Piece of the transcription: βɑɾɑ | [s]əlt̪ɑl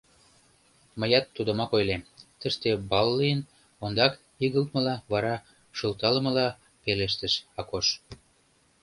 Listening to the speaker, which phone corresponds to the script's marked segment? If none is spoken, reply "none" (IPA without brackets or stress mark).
ʃ